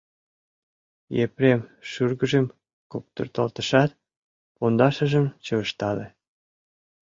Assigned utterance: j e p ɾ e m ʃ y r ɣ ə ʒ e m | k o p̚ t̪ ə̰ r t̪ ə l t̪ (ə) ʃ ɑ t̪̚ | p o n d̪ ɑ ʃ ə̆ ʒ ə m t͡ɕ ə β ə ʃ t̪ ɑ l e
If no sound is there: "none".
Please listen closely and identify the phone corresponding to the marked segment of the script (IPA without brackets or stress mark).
ə